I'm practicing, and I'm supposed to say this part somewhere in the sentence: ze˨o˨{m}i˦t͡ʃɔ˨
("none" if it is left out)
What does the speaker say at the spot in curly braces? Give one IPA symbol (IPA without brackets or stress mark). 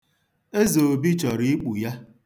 b